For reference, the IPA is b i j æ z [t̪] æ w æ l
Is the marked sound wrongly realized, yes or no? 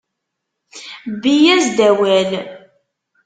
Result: yes